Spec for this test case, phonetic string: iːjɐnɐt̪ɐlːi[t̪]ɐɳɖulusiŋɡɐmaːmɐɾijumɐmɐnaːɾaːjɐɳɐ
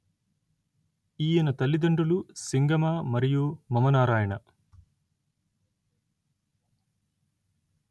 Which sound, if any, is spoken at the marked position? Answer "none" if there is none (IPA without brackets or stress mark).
d̪